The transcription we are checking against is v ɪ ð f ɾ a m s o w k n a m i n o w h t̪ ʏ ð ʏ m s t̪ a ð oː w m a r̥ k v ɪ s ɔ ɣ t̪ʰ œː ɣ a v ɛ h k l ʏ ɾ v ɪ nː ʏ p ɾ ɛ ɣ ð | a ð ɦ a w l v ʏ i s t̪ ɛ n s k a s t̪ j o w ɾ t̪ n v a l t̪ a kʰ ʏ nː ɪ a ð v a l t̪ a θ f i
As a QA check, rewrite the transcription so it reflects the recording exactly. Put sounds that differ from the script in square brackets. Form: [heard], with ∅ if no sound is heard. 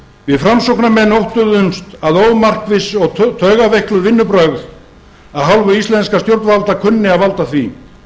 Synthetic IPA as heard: v ɪ ð f ɾ a m s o w k n a m [ɛ] n o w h t̪ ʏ ð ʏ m s t̪ a ð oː w m a r̥ k v ɪ s ɔ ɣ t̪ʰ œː ɣ a v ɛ h k l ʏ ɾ v ɪ nː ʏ p ɾ [œ] ɣ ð | a ð ɦ a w l v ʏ i s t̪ ɛ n s k a s t̪ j o w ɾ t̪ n v a l t̪ a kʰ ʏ nː ɪ a ð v a l t̪ a θ [v] i